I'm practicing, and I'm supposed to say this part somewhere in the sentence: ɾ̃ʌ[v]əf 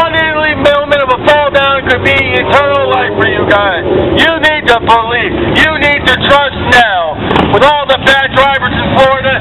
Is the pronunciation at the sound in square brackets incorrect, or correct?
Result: correct